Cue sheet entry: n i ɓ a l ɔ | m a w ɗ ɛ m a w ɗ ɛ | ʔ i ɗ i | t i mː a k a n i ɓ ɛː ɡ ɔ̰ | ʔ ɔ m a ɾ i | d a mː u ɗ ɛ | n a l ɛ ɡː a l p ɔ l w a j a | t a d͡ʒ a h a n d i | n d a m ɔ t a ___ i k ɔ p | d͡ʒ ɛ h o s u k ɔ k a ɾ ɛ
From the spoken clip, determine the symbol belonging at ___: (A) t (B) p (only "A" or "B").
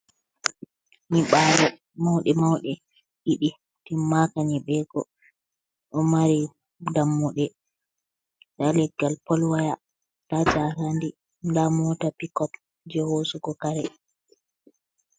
B